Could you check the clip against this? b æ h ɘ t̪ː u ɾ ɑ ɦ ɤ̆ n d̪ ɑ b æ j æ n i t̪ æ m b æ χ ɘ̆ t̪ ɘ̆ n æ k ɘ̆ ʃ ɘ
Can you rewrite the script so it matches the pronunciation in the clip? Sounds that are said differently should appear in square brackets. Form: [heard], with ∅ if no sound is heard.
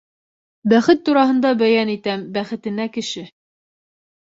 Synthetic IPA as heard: b æ [χ] ɘ t̪ː u ɾ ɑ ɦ ɤ̆ n d̪ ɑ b æ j æ n i t̪ æ m b æ χ ɘ̆ t̪ ɘ̆ n æ k ɘ̆ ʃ ɘ